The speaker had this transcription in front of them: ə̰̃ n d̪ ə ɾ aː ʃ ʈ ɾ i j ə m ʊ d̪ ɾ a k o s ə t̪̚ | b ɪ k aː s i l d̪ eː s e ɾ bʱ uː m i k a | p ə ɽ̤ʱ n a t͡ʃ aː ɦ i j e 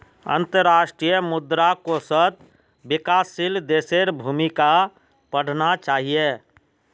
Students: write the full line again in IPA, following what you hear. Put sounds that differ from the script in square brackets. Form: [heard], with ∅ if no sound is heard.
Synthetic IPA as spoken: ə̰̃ n [t̪] ə ɾ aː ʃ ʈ ɾ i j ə m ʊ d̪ ɾ a k o s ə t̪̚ | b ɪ k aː s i l d̪ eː s e ɾ bʱ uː m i k a | p ə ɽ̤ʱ n a t͡ʃ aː ɦ i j e